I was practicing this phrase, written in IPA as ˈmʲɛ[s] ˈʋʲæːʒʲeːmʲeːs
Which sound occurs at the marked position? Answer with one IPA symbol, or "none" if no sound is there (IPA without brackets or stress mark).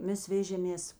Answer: s